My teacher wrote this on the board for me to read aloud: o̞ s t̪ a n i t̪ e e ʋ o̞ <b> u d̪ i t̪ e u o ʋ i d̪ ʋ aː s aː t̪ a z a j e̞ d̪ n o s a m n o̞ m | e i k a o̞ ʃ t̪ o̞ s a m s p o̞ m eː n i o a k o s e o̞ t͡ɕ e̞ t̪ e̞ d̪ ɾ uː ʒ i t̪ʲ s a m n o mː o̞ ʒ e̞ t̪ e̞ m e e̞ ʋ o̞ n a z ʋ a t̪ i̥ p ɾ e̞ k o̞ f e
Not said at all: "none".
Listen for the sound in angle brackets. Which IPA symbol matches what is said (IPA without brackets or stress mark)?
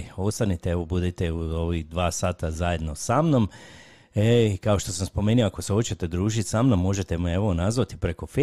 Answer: b